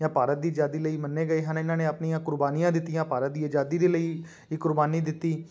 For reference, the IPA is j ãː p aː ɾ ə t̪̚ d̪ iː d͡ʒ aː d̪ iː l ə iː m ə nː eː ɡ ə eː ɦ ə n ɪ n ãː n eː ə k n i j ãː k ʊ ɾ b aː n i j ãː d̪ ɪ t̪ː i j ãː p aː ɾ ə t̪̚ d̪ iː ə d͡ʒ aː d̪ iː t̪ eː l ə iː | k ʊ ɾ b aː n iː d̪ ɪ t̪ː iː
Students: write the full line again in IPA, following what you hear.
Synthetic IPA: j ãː p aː ɾ ə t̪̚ d̪ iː d͡ʒ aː d̪ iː l ə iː m ə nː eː ɡ ə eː ɦ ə n ɪ n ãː n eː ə p n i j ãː k ʊ ɾ b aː n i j ãː d̪ ɪ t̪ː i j ãː p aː ɾ ə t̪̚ d̪ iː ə d͡ʒ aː d̪ iː d̪ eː l ə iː | k ʊ ɾ b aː n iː d̪ ɪ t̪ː iː